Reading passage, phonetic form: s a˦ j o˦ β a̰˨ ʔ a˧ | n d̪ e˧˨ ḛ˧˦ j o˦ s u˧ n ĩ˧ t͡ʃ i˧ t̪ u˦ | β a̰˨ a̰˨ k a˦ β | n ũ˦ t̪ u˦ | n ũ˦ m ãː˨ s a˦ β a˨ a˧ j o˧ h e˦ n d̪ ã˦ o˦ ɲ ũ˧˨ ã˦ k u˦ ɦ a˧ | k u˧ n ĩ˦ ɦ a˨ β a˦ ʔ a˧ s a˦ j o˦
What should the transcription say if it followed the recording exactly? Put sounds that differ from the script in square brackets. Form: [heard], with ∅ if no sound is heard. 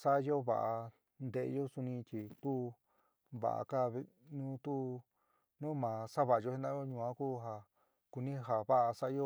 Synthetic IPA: s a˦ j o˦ β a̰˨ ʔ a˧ | n d̪ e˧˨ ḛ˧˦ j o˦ s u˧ n ĩ˧ t͡ʃ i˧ t̪ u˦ | β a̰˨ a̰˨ k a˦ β | n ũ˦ t̪ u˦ | n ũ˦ m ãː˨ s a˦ β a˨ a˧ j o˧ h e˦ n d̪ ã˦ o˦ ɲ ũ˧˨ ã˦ k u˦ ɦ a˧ | k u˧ n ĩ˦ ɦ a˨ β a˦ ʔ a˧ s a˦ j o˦